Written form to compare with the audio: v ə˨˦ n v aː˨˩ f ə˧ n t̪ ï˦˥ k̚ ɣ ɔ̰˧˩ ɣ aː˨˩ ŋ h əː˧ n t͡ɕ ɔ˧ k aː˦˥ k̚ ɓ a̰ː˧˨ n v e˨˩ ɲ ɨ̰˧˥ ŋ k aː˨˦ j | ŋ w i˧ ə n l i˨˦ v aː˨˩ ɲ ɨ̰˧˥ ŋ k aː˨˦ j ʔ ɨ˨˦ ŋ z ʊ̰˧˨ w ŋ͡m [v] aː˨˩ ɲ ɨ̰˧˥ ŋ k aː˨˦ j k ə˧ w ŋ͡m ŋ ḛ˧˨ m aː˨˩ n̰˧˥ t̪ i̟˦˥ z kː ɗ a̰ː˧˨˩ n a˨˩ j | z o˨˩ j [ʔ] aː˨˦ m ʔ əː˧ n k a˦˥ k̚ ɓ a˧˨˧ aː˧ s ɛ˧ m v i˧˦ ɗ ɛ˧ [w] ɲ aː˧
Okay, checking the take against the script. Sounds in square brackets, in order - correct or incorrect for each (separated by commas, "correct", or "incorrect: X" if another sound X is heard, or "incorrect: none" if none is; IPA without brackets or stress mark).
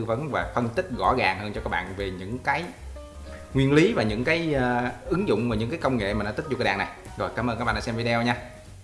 correct, incorrect: k, correct